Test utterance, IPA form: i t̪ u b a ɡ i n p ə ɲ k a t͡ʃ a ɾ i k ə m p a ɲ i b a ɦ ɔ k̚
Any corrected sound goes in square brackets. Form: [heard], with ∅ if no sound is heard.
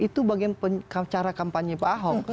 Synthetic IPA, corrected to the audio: i t̪ u b a ɡ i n p ə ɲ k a t͡ʃ a ɾ [a] k [a] m p a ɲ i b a ɦ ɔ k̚